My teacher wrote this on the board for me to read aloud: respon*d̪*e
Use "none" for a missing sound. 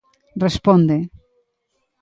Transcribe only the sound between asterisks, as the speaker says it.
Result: d̪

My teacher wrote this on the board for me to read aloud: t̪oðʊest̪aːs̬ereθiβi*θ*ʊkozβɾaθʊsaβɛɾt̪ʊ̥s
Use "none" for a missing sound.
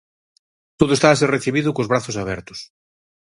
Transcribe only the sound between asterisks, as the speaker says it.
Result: ð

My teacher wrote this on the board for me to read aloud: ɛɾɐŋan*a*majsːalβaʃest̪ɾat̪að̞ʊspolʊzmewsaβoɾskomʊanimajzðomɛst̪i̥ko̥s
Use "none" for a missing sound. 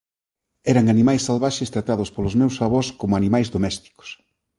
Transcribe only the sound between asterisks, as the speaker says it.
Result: i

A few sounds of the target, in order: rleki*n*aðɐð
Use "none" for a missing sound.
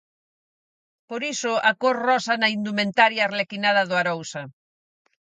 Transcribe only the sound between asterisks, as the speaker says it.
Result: n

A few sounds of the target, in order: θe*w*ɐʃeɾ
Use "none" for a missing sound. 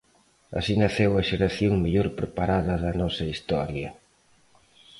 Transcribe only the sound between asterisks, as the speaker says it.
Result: w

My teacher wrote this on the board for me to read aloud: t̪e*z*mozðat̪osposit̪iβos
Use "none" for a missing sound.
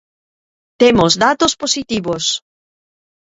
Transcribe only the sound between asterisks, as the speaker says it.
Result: none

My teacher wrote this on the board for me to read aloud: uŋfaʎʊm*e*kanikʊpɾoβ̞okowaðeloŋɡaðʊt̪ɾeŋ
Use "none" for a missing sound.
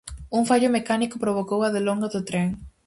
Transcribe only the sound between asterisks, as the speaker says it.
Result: e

